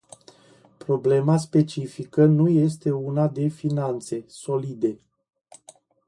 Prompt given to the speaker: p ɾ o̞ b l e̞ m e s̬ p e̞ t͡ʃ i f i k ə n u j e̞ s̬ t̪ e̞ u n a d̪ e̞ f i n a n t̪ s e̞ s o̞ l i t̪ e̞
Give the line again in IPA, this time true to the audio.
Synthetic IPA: p ɾ o̞ b l e̞ m a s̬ p e̞ t͡ʃ i f i k ə n u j e̞ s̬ t̪ e̞ u n a d̪ e̞ f i n a n t̪ s e̞ s o̞ l i d̪ e̞